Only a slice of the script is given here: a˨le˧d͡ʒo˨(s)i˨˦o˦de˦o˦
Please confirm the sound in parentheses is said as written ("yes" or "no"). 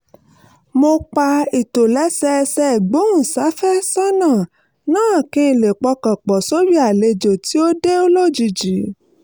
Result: no